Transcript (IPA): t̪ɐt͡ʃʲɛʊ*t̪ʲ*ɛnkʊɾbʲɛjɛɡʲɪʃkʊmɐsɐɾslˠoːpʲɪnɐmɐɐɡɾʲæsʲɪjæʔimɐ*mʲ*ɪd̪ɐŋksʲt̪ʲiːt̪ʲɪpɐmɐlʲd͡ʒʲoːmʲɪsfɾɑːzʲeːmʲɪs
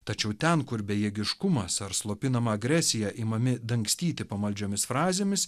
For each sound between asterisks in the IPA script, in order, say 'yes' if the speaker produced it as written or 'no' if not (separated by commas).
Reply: yes, yes